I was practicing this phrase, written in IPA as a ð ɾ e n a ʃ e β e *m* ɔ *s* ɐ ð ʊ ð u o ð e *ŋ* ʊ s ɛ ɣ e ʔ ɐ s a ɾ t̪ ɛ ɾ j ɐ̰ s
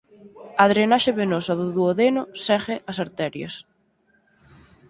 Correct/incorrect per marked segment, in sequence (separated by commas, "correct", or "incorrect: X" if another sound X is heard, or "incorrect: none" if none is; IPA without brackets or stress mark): incorrect: n, correct, incorrect: n